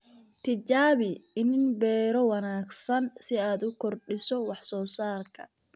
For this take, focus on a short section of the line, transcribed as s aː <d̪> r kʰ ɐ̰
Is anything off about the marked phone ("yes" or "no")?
yes